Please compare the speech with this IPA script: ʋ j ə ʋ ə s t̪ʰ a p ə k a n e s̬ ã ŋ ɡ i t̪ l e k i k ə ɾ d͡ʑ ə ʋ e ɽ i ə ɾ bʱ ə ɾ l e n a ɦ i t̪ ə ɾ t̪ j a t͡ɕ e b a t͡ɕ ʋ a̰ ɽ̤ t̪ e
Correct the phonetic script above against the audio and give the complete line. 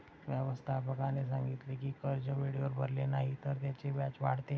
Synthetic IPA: ʋ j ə ʋ ə s t̪ʰ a p ə k a n e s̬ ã ŋ ɡ i t̪ l e k i k ə ɾ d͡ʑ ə ʋ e ɽ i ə ɾ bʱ ə ɾ l e n a ɦ i t̪ ə ɾ t̪ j a t͡ɕ e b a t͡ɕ ʋ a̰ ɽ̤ t̪ e

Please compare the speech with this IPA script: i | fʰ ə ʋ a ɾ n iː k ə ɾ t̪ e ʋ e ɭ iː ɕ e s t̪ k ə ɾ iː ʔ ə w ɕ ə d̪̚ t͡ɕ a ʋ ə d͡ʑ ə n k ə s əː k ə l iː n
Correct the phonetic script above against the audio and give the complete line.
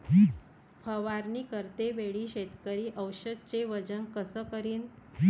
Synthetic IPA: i | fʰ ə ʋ a ɾ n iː k ə ɾ t̪ e ʋ e ɭ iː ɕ e t̪ k ə ɾ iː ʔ ə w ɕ ə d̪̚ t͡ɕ e ʋ ə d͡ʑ ə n k ə s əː k ə ɾ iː n

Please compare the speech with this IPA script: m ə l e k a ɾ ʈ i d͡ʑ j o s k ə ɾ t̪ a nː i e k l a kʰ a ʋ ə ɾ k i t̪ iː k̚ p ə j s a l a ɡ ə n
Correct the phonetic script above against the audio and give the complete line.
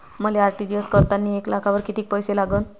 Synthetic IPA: m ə l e a ɾ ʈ i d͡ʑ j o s k ə ɾ t̪ a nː i e k l a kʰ a ʋ ə ɾ k i t̪ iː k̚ p ə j s e l a ɡ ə n

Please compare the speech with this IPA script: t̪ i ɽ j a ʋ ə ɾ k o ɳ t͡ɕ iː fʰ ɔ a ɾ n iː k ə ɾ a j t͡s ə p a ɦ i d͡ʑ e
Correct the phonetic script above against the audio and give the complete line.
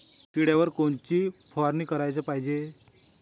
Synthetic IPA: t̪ i ɽ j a ʋ ə ɾ k o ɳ t͡ɕ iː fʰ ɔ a ɾ n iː k ə ɾ a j t͡s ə p a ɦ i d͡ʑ e

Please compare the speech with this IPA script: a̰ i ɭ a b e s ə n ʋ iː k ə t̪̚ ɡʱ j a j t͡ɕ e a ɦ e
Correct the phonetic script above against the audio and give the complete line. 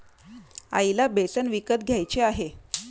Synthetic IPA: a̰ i l a b e s ə n ʋ i k ə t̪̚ ɡʱ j a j t͡ɕ e a ɦ e

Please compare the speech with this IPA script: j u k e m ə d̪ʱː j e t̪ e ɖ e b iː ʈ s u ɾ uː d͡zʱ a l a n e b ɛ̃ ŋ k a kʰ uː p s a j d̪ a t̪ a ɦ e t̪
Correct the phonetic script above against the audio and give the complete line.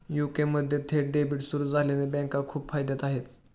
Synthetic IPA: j u k e m ə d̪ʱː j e t̪ʰ e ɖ e b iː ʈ s u ɾ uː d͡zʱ a l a n e b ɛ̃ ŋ k a kʰ uː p f a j d̪ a t̪ a ɦ e t̪

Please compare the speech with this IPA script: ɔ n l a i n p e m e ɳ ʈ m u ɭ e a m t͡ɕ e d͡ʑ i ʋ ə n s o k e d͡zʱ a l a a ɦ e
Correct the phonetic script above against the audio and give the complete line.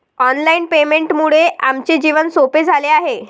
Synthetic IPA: ɔ n l a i n p e m e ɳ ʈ m u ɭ e a m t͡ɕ e d͡ʑ i ʋ ə n s o p e d͡zʱ a l e a ɦ e

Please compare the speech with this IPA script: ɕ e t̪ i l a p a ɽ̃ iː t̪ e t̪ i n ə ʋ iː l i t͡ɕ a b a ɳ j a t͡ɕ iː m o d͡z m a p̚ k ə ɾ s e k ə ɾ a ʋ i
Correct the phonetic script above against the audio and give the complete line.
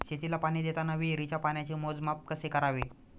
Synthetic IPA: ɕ e t̪ i l a p a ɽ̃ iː d̪ e t̪ a n ə ʋ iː ɾ i t͡ɕ a p a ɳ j a t͡ɕ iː m o d͡z m a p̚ k ə s e k ə ɾ a ʋ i

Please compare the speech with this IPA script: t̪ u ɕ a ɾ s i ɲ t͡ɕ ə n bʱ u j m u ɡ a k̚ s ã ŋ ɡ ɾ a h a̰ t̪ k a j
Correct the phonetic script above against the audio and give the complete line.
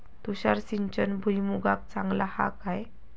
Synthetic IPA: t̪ u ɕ a ɾ s i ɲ t͡ɕ ə n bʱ u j m u ɡ a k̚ t͡s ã ŋ ɡ l a h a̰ k a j

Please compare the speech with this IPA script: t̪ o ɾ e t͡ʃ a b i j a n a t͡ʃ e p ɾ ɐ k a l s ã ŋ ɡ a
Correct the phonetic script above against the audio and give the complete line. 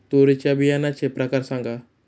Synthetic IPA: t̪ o ɾ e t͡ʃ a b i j a n a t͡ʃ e p ɾ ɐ k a ɾ s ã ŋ ɡ a

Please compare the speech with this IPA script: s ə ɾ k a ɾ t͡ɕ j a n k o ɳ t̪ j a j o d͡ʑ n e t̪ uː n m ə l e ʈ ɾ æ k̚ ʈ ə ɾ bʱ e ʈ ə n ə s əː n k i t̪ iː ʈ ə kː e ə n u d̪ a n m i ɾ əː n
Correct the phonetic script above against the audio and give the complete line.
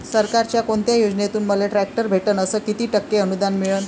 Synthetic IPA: s ə ɾ k a ɾ t͡ɕ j a k o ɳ t̪ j a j o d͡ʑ n e t̪ uː n m ə l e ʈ ɾ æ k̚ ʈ ə ɾ bʱ e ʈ ə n ə s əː k i t̪ iː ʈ ə kː e ə n u d̪ a n m i ɭ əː n

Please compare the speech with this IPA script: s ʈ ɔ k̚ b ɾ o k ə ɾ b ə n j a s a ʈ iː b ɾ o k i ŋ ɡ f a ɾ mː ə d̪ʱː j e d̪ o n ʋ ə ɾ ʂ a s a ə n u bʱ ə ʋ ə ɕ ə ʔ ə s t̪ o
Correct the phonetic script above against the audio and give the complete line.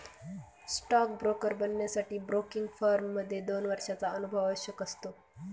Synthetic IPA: s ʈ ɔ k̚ b ɾ o k ə ɾ b ə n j a s a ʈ iː b ɾ o k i ŋ ɡ f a ɾ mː ə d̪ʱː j e d̪ o n ʋ ə ɾ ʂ a t͡s a ə n u bʱ ə ʋ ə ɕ ə k ə s t̪ o

